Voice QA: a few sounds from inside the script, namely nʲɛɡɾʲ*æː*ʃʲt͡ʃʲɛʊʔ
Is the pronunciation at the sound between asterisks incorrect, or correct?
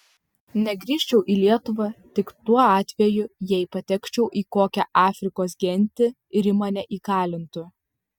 incorrect: iː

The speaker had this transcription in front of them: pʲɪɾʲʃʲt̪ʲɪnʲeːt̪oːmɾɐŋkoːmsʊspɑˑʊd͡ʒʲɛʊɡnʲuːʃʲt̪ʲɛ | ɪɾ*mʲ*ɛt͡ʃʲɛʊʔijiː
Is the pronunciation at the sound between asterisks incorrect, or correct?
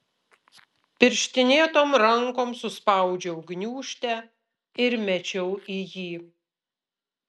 correct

